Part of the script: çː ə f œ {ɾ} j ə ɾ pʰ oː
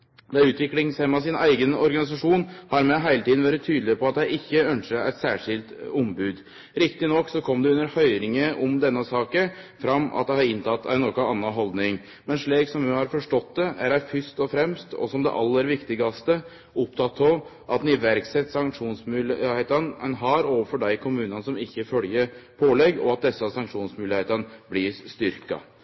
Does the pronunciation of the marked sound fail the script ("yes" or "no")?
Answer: yes